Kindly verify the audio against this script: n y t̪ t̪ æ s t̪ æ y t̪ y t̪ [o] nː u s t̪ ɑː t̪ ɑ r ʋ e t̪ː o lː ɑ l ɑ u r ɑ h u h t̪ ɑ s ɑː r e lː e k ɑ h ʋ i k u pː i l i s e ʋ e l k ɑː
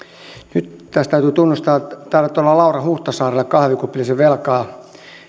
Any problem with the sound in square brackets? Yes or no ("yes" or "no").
yes